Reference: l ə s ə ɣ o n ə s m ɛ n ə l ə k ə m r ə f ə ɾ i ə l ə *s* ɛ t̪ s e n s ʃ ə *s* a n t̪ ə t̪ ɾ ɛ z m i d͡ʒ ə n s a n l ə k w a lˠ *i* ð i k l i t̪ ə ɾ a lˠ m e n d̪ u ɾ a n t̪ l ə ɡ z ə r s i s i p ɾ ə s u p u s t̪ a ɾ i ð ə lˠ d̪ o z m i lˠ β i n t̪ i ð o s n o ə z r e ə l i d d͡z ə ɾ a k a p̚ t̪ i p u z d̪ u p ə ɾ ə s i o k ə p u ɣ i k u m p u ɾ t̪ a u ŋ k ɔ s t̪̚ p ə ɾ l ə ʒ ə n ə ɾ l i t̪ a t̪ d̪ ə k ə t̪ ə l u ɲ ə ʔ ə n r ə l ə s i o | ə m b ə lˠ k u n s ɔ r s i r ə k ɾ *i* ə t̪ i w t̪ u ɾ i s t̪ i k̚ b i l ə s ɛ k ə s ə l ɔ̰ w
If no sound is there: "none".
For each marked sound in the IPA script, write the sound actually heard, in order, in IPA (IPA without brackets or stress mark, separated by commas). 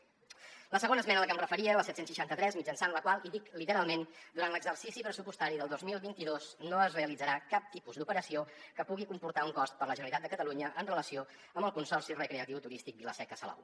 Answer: s, ʃ, i, e